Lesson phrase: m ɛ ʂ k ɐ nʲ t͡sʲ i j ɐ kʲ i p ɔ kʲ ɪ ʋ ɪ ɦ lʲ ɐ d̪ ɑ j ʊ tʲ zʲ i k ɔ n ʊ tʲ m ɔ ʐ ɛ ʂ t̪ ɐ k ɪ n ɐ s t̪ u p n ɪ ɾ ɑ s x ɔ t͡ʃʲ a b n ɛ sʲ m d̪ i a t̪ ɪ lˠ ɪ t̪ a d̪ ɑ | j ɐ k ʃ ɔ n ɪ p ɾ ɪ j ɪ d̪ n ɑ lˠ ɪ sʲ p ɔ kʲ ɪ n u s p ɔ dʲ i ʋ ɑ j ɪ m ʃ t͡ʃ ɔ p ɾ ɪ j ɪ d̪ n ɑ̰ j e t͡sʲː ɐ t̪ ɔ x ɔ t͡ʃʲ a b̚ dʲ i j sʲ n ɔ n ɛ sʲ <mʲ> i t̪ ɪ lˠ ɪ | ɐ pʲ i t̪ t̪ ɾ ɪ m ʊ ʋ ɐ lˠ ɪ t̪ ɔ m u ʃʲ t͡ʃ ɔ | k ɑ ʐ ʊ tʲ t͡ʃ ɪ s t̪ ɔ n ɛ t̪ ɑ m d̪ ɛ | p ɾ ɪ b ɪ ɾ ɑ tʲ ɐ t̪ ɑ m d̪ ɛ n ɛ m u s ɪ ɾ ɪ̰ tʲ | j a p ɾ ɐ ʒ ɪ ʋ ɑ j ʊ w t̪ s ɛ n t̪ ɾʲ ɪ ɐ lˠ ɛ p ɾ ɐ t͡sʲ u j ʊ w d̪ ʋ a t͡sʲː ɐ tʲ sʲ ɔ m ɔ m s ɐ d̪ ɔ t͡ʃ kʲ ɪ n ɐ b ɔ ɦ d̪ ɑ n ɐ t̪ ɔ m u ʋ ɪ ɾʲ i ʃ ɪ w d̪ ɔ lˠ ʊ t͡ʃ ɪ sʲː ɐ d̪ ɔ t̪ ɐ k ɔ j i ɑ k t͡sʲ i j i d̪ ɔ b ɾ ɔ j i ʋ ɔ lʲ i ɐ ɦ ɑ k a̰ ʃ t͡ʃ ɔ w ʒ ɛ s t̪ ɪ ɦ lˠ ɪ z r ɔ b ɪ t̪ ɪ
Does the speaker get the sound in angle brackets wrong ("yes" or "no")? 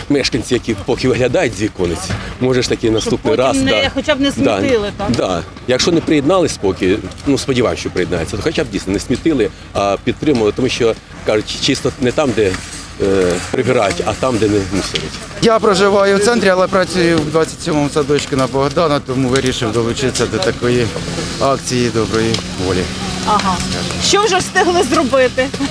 no